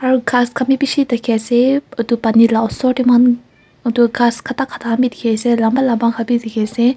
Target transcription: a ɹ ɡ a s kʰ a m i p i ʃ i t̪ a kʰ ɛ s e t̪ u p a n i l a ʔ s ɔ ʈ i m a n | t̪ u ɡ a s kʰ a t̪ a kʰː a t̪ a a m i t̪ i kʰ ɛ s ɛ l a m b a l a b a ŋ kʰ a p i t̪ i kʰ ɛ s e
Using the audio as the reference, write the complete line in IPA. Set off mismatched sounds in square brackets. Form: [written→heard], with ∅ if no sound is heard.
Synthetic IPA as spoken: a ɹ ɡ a s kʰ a m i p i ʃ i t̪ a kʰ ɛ s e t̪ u p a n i l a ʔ s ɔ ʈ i m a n | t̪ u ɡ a s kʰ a t̪ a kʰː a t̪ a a m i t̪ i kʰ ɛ s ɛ l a m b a l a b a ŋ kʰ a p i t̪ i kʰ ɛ s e